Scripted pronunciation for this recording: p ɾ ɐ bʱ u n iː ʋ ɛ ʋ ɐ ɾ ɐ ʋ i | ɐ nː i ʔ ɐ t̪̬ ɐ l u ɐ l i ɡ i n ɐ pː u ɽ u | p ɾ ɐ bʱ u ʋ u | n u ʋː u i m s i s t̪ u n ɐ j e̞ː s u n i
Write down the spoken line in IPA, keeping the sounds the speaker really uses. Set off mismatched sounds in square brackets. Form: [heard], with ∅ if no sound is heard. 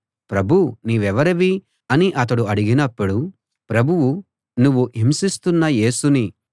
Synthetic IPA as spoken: p ɾ ɐ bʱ u n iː ʋ ɛ ʋ ɐ ɾ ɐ ʋ i | ɐ [n] i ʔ ɐ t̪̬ ɐ [ɽ] u ɐ [ɽ] i ɡ i n ɐ pː u ɽ u | p ɾ ɐ bʱ u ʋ u | n u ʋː u i m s i s t̪ u [nː] ɐ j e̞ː s u n i